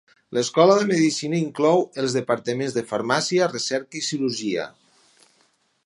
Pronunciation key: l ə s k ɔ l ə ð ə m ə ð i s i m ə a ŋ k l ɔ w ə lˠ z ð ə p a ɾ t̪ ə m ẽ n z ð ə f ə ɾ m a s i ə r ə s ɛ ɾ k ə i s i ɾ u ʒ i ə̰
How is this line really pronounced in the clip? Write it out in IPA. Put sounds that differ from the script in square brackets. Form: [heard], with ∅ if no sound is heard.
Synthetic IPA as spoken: l ə s k ɔ l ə ð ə m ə ð i s i [n] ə [i] ŋ k l ɔ w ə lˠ z ð ə p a ɾ t̪ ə m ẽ n z ð ə f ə ɾ m a s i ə r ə s ɛ ɾ k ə i s i ɾ u ʒ i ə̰